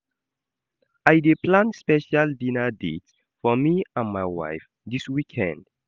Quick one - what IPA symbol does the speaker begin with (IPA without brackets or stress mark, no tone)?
a